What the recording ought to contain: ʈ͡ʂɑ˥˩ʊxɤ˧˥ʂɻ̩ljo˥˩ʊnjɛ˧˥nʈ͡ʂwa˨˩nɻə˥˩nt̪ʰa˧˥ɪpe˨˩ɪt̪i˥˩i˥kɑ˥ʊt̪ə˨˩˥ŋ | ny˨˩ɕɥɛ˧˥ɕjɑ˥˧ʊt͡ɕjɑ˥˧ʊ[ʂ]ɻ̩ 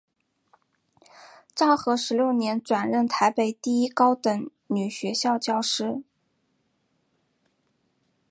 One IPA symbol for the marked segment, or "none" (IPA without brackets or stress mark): ʂ